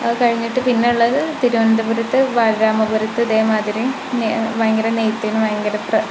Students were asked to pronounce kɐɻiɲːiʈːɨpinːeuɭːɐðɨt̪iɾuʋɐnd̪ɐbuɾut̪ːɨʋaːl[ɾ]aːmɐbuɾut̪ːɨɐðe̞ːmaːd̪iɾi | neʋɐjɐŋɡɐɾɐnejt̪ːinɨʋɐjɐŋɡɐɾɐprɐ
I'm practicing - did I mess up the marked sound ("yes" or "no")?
no